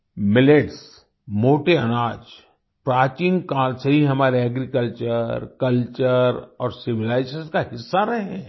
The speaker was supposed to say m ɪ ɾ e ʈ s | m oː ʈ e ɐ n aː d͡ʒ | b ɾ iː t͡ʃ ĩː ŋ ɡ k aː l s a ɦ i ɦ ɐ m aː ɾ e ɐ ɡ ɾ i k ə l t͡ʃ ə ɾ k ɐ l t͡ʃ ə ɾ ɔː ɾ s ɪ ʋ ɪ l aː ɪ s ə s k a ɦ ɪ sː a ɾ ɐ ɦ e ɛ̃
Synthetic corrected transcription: m ɪ l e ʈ s | m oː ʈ e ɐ n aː d͡ʒ | p ɾ aː t͡ʃ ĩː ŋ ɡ k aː l s e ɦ i ɦ ɐ m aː ɾ e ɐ ɡ ɾ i k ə l t͡ʃ ə ɾ k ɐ l t͡ʃ ə ɾ ɔː ɾ s ɪ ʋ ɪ l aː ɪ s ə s k a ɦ ɪ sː a ɾ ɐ ɦ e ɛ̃

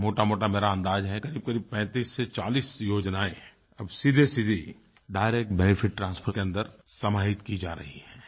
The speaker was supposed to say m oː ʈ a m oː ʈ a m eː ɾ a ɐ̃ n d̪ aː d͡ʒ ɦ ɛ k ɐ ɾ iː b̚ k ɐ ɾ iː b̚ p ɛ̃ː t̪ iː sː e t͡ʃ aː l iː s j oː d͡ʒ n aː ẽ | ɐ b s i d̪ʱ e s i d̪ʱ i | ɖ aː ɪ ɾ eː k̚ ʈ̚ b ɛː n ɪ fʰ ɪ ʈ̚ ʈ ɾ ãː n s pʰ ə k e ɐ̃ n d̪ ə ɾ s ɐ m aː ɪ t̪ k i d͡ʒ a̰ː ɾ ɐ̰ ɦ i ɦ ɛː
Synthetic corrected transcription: m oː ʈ a m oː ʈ a m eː ɾ a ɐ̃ n d̪ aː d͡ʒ ɦ ɛ k ɐ ɾ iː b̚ k ɐ ɾ iː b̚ p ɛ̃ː t̪ iː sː e t͡ʃ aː l iː s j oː d͡ʒ n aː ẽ | ɐ b s i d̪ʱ e s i d̪ʱ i | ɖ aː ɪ ɾ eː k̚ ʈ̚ b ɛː n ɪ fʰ ɪ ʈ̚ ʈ ɾ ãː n s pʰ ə k e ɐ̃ n d̪ ə ɾ s ɐ m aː ɪ t̪ k i d͡ʒ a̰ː ɾ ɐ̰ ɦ i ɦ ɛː

